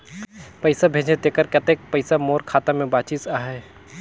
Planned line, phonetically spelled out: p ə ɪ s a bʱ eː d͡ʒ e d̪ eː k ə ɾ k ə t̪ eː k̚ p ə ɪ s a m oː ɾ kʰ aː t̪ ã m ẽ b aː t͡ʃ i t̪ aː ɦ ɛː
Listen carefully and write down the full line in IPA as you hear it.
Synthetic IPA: p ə ɪ s a bʱ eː d͡ʒ e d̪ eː k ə ɾ k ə t̪ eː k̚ p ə ɪ s a m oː ɾ kʰ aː t̪ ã m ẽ b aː t͡ʃ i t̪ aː ɦ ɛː